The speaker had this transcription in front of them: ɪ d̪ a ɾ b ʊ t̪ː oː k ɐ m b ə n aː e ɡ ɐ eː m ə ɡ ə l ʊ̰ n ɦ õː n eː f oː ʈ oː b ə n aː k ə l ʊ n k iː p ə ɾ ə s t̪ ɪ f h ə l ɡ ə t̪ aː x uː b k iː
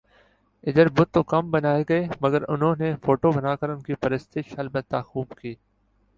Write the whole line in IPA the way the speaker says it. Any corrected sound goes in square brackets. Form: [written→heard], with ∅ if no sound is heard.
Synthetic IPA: ɪ d̪ [a→ə] ɾ b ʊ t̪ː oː k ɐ m b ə n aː e ɡ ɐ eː m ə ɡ ə [l→ɾ] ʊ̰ n ɦ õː n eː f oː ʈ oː b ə n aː k ə [l→ɾ] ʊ n k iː p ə ɾ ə s t̪ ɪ [f→ʃ] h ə l [ɡ→b] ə t̪ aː x uː b k iː